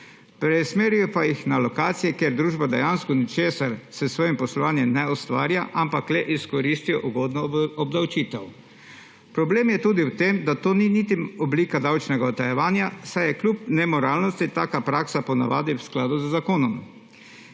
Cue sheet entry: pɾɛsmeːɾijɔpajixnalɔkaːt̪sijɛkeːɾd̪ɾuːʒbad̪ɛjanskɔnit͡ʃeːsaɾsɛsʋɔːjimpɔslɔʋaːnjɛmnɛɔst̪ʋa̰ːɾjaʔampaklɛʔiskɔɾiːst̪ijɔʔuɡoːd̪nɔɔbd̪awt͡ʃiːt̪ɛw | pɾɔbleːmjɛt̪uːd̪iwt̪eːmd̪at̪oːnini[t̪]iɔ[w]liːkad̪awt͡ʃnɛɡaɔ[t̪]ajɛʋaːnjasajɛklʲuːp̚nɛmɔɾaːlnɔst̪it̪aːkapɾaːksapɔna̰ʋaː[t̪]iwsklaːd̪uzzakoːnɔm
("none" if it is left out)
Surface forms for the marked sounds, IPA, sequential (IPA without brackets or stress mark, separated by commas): t̪, b, t̪, d̪